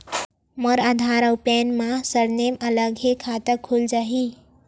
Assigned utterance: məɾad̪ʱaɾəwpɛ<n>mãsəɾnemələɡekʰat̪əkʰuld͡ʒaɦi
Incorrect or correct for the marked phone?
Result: correct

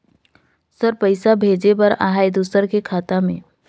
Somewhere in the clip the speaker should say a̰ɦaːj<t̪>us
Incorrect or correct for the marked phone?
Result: incorrect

